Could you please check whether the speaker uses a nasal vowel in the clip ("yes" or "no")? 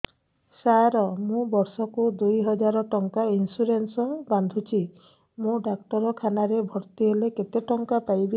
yes